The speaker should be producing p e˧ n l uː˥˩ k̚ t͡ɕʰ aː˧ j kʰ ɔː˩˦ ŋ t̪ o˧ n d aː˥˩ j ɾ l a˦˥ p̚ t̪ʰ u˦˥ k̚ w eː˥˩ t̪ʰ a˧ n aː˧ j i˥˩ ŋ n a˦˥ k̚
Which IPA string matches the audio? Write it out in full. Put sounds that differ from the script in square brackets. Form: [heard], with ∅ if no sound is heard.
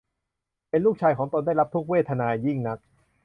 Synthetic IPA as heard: p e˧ n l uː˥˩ k̚ t͡ɕʰ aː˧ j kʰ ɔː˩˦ ŋ t̪ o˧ n d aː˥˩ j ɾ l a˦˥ p̚ t̪ʰ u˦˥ k̚ w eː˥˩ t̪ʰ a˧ n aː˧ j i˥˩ ŋ n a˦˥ k̚